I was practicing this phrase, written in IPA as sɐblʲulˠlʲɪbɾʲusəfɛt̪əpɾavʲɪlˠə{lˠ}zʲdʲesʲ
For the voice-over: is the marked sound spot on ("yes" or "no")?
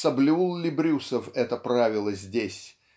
no